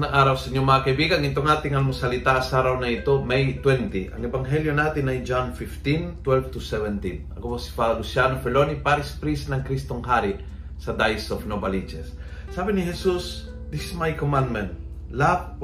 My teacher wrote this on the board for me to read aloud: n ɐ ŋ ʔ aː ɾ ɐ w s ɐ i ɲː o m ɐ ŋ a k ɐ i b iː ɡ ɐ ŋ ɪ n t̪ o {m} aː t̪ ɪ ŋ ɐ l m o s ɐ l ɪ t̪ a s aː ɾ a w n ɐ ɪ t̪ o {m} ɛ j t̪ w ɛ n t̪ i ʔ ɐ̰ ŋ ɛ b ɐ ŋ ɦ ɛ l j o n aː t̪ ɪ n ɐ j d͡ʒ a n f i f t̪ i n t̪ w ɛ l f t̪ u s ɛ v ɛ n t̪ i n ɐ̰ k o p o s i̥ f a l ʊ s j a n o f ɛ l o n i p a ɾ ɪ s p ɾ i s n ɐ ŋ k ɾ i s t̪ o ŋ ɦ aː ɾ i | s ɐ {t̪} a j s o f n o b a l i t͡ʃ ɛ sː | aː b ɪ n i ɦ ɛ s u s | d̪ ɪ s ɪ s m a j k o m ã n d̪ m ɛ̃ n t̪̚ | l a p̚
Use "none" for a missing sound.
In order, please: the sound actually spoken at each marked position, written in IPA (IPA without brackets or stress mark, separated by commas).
ŋ, m, d̪